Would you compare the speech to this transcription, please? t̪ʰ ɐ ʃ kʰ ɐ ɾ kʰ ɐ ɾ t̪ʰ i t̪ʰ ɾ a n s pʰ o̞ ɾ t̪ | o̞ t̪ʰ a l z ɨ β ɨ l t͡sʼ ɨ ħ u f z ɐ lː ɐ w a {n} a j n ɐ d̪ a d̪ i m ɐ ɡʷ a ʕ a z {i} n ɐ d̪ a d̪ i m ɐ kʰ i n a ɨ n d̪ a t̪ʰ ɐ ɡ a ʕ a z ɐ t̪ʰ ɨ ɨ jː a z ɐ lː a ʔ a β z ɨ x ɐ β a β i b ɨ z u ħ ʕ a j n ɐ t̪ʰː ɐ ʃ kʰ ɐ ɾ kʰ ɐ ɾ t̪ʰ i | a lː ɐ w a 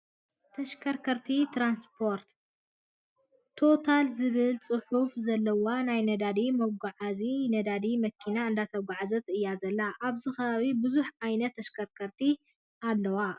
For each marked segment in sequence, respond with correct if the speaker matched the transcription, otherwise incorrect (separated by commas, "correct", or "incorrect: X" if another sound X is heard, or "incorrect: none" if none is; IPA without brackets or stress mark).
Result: correct, correct